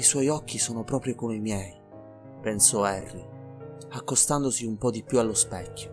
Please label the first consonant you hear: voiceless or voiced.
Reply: voiceless